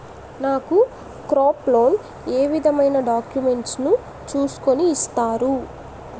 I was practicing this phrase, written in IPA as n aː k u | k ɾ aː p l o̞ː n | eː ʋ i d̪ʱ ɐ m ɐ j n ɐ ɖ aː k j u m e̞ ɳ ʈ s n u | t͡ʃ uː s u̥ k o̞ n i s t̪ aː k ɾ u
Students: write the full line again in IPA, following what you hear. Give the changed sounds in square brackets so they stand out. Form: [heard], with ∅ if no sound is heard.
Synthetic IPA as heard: n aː k u | k ɾ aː p l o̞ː n | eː ʋ i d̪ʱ ɐ m ɐ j n ɐ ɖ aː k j u m e̞ ɳ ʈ s n u | t͡ʃ uː s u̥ k o̞ n [iː] s t̪ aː [∅] ɾ u